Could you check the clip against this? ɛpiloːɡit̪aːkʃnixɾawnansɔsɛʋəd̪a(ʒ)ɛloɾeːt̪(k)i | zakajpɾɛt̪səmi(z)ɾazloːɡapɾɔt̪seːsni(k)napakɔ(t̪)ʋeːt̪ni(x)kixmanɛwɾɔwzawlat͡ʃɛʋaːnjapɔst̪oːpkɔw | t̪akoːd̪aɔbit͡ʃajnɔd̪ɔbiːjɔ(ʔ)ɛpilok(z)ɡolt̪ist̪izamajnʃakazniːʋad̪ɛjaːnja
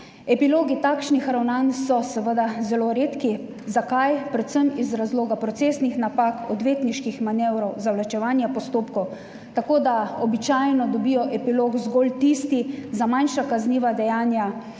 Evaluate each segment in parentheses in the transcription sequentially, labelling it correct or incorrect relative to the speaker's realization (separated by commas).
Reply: incorrect, correct, correct, incorrect, incorrect, incorrect, correct, correct